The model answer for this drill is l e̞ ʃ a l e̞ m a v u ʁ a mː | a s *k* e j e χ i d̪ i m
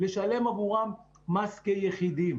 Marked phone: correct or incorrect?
correct